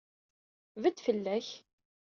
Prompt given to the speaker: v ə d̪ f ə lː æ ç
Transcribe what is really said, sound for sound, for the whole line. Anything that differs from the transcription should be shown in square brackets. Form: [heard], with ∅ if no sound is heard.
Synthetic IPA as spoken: v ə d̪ f ə lː æ ç